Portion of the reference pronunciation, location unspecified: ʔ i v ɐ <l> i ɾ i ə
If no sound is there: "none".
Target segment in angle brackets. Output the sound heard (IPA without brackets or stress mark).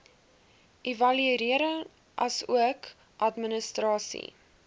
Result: l